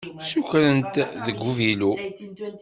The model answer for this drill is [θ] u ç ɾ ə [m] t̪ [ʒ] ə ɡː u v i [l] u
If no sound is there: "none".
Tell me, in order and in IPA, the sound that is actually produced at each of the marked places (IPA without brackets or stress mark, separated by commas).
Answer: s, n, ð, l